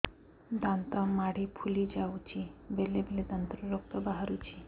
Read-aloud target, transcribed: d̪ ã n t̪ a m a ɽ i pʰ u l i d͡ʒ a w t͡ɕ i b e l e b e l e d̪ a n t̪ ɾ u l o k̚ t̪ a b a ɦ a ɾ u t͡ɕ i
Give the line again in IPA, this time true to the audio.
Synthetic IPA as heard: d̪ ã n t̪ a m a ɽ i pʰ u l i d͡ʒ a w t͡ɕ i b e l e b e l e d̪ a n t̪ ɾ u ɾ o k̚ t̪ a b a ɦ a ɾ u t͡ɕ i